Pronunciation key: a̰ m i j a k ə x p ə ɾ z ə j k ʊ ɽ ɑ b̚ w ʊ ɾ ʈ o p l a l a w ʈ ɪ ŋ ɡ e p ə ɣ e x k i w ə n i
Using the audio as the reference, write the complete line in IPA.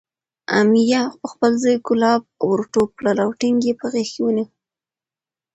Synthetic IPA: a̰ m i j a p ə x p ə l z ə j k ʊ l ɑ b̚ w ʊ ɾ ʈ o p l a l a w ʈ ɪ ŋ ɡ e p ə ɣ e x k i w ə n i